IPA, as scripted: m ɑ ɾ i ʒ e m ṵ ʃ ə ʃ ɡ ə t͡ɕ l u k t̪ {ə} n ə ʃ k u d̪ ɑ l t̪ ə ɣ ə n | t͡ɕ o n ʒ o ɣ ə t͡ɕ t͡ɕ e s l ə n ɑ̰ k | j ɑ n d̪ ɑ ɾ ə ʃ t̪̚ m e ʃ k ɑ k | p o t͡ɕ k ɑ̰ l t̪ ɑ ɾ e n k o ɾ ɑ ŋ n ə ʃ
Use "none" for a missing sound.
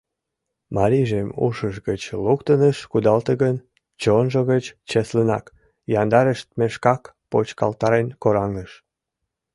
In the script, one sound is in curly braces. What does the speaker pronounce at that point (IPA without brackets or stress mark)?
ə